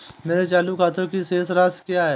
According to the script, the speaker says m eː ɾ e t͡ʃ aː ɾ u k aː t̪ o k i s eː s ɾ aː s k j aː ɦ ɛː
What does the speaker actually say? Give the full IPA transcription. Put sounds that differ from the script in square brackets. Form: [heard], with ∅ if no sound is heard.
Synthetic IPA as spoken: m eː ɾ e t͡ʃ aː [l] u k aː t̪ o k i s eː s ɾ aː s k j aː ɦ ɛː